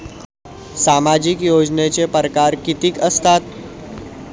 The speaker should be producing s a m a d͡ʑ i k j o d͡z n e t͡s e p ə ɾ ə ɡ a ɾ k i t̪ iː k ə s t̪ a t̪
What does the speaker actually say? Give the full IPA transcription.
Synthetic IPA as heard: s a m a d͡ʑ i k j o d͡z n e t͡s e p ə ɾ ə k a ɾ k i t̪ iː k ə s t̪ a t̪